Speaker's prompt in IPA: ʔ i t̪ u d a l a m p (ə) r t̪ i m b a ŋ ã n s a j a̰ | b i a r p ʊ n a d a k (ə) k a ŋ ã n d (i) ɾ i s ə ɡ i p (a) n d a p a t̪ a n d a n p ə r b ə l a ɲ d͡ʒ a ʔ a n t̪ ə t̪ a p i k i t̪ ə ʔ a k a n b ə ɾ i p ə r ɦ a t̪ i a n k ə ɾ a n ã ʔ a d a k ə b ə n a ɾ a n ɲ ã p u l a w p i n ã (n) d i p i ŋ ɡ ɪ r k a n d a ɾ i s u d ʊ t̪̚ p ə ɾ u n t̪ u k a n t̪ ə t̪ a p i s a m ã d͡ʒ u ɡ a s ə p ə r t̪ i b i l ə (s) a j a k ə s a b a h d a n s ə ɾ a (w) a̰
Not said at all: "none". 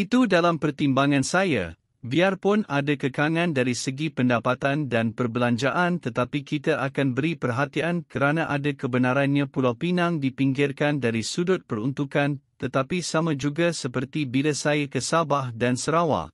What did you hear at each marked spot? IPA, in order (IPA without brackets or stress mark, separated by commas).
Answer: ə, ə, a, ə, ŋ, s, w